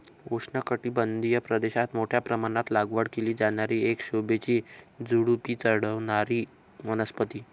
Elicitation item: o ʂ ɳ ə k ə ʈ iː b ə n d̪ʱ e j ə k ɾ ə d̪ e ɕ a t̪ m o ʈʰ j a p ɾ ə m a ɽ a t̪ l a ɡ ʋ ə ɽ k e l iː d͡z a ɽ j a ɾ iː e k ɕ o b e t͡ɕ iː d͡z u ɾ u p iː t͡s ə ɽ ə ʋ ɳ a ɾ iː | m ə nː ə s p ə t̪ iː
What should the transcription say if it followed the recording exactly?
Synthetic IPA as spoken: o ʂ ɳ ə k ə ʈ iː b ə n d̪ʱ i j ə p ɾ ə d̪ e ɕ a t̪ m o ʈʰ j a p ɾ ə m a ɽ a t̪ l a ɡ ʋ ə ɽ k e l iː d͡z a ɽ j a ɾ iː e k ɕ o b e t͡ɕ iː d͡z u ɽ u p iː t͡s ə ɽ ə ʋ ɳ a ɾ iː | m ə n ə s p ə t̪ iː